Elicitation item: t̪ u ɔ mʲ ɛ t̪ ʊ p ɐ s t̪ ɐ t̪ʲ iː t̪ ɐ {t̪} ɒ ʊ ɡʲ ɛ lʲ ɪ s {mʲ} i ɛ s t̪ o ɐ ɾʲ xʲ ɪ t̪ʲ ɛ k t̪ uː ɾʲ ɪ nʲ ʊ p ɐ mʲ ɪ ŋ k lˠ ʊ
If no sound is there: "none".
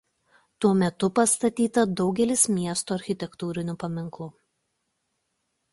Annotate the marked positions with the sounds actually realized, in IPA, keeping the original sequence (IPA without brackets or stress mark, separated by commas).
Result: d̪, mʲ